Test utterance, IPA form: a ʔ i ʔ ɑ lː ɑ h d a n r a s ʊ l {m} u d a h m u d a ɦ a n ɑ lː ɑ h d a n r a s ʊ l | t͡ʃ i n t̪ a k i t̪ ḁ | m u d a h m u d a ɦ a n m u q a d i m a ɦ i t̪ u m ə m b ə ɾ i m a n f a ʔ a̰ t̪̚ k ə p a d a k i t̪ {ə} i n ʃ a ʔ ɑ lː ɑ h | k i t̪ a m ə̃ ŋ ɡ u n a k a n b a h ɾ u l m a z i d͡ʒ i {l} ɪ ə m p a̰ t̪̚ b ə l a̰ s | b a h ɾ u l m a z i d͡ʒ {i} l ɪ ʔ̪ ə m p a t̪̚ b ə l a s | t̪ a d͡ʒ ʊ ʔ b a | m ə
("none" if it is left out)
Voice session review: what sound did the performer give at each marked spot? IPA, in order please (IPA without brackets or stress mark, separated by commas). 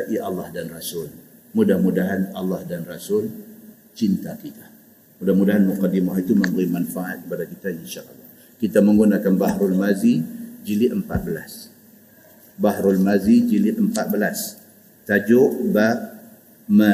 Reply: m, a, l, i